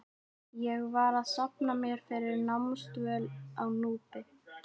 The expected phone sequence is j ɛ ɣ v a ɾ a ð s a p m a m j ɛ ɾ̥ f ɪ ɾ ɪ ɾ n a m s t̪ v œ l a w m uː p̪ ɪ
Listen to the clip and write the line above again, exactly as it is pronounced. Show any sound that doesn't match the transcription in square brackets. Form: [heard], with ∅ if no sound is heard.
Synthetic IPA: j ɛ ɣ v a ɾ a ð s a p [n] a m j ɛ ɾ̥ f ɪ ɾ ɪ ɾ n a m s t̪ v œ l a w [n] uː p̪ ɪ